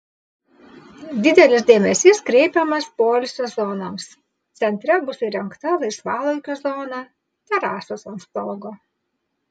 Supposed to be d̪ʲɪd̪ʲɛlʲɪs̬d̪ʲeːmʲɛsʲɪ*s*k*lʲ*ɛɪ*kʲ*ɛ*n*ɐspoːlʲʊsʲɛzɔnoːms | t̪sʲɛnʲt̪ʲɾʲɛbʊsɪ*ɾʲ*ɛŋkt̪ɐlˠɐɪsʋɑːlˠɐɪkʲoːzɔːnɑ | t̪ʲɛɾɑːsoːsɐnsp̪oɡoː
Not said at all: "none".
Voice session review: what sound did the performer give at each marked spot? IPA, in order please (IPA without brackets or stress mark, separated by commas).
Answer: s, ɾʲ, pʲ, m, ɾʲ